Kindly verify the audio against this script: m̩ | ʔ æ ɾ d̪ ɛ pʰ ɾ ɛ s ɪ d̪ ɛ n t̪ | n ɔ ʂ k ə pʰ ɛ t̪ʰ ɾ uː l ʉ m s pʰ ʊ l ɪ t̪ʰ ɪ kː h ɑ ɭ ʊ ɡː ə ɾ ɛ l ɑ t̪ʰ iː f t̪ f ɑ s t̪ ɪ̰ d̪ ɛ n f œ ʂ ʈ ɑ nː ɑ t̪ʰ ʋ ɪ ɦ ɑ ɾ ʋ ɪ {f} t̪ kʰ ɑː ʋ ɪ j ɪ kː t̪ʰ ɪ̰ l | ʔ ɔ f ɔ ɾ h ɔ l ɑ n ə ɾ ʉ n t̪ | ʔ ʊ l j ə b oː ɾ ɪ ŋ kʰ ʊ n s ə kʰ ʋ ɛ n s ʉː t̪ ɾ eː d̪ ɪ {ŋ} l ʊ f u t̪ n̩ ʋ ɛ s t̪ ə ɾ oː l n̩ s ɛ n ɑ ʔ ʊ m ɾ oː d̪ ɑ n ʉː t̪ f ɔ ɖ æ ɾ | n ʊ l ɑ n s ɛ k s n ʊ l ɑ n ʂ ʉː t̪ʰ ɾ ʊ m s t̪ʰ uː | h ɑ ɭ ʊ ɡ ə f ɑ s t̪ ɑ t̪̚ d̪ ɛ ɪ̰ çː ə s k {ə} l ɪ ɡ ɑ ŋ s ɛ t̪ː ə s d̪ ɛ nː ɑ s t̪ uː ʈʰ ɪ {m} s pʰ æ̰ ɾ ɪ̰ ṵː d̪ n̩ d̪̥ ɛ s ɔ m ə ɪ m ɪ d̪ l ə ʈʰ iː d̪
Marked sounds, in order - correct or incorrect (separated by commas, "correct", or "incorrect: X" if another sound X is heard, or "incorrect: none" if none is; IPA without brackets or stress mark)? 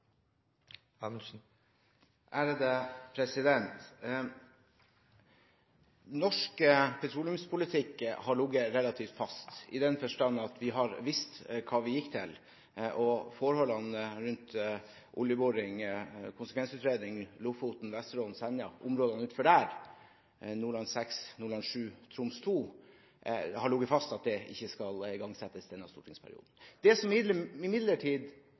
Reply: incorrect: s, correct, incorrect: ɑ, incorrect: ŋ